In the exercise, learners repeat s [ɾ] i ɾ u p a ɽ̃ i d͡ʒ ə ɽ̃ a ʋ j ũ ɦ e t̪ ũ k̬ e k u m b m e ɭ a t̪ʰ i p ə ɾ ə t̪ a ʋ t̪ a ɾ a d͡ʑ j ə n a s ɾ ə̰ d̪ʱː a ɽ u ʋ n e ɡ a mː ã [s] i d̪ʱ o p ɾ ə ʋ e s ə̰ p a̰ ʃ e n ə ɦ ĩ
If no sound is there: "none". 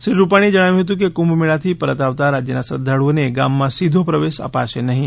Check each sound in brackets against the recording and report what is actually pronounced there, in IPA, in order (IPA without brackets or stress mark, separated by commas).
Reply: ɾ, s